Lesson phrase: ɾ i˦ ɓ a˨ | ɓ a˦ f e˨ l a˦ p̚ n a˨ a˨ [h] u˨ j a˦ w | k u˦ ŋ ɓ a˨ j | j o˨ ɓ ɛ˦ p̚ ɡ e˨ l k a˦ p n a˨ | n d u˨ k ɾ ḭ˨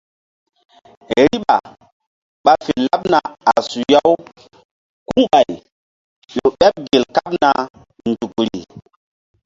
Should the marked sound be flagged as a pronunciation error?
yes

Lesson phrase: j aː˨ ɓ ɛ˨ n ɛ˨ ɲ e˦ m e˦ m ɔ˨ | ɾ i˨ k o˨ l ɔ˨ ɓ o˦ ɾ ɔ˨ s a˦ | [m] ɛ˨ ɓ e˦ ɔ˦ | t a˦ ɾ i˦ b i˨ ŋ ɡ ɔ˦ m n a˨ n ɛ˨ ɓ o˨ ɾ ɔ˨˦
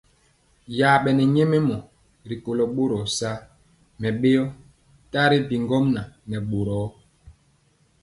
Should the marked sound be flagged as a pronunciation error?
no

